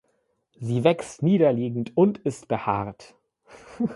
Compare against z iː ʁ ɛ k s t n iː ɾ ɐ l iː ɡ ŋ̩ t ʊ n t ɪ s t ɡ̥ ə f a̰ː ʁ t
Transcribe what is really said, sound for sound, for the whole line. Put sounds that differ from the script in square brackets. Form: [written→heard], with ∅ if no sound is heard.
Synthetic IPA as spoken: z iː [ʁ→v] ɛ k s t n iː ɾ ɐ l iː ɡ ŋ̩ t ʊ n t ɪ s t [ɡ̥→b̥] ə [f→h] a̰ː ʁ t